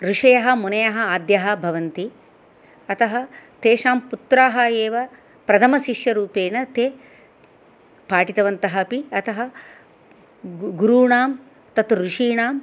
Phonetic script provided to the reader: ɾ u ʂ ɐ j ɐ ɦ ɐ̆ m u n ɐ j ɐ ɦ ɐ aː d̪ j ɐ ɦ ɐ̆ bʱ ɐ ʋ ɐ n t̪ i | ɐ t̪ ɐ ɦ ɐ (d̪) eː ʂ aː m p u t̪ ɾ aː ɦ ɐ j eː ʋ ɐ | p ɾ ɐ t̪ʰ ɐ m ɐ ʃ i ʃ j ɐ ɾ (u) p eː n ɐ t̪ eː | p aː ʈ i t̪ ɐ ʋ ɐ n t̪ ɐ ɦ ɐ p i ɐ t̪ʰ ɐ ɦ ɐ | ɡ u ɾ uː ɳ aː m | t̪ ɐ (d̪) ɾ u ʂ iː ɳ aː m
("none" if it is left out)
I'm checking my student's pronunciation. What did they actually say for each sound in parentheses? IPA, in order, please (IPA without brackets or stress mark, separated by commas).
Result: t̪, uː, t̪